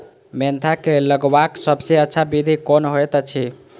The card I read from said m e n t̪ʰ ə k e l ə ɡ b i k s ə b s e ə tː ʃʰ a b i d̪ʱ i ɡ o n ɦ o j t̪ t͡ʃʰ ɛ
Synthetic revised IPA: m e n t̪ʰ a k e l ə ɡ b a k s ə b s e ə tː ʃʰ a b i d̪ʱ i k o n ɦ o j t̪ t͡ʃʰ i